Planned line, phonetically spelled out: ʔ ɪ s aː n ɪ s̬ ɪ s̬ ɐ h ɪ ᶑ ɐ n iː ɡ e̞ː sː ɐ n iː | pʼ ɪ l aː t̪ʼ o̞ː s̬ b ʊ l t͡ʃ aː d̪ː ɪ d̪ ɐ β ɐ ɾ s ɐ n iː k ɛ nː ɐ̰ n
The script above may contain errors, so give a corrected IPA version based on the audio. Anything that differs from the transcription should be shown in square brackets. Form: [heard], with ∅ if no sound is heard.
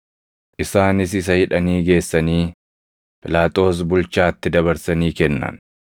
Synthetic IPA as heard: ʔ ɪ s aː n ɪ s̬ ɪ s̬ ɐ h ɪ ᶑ ɐ n iː ɡ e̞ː sː ɐ n iː | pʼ ɪ l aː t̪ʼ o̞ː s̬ b ʊ l t͡ʃ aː [t̪ː] ɪ d̪ ɐ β ɐ ɾ s ɐ n iː k ɛ nː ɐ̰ n